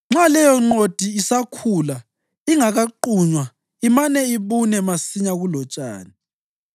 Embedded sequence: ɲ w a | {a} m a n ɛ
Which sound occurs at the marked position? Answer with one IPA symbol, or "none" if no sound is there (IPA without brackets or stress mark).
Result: i